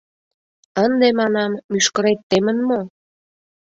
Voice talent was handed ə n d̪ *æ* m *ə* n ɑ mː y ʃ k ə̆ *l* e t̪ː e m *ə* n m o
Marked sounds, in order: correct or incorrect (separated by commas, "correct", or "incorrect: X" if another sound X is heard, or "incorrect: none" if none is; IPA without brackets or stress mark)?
incorrect: e, incorrect: ɑ, incorrect: ɾ, correct